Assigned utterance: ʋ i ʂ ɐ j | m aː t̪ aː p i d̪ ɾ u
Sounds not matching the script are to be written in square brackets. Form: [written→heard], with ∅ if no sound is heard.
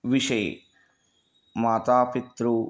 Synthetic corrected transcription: ʋ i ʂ ɐ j | m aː t̪ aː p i [d̪→t̪] ɾ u